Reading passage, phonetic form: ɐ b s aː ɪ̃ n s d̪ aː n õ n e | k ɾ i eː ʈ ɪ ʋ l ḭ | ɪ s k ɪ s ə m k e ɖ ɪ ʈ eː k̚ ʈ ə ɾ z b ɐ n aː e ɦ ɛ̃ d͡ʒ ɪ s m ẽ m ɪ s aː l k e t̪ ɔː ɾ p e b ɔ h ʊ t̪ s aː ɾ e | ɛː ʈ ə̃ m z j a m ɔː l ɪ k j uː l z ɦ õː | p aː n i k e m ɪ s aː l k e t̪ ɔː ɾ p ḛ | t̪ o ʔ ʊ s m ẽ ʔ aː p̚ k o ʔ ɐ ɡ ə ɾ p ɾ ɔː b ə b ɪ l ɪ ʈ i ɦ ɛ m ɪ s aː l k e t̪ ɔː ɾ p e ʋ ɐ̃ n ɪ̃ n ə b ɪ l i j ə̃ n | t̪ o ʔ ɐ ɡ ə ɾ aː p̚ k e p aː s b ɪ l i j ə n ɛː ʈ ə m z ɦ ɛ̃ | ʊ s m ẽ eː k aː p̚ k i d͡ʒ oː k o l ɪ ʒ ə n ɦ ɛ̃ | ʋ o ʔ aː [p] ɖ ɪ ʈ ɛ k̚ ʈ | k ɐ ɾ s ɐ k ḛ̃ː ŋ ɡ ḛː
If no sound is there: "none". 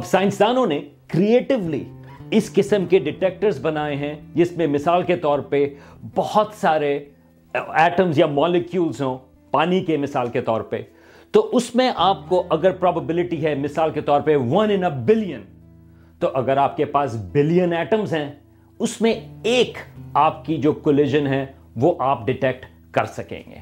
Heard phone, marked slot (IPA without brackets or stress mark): p